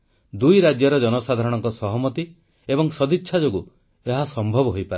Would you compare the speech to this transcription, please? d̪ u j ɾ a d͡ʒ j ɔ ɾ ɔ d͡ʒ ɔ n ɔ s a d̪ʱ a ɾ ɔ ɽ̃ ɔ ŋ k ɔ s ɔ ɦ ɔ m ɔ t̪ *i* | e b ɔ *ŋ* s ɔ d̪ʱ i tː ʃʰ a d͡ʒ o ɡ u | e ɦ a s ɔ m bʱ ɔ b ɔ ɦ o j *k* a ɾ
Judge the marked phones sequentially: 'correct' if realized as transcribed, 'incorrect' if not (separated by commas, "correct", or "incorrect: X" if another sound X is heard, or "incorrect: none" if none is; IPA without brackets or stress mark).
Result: correct, correct, incorrect: p